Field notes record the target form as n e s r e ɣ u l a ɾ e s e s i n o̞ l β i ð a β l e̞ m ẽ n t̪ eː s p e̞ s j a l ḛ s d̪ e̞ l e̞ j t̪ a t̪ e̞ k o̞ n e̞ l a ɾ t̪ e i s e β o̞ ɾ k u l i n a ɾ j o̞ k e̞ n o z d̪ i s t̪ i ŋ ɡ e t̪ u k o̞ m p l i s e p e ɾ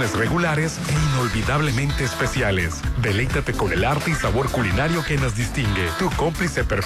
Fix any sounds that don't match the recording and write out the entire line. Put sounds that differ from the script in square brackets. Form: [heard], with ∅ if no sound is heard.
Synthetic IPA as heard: n e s r e ɣ u l a ɾ e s e [∅] i n o̞ l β i ð a β l e̞ m ẽ n t̪ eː s p e̞ s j a l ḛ s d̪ e̞ l e̞ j t̪ a t̪ e̞ k o̞ n e̞ l a ɾ t̪ e i s [a] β o̞ ɾ k u l i n a ɾ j o̞ k e̞ n o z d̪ i s t̪ i ŋ ɡ e t̪ u k o̞ m p l i s e p e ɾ